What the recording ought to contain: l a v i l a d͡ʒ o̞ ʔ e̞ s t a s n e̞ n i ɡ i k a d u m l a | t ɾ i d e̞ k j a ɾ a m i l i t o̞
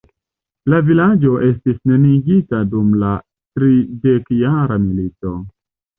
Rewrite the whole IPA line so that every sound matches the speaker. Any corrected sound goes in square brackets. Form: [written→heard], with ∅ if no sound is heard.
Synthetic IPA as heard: l a v i l a d͡ʒ o̞ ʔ e̞ s t [a→i] s n e̞ n i ɡ i [k→t] a d u m l a | t ɾ i d e̞ k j a ɾ a m i l i t o̞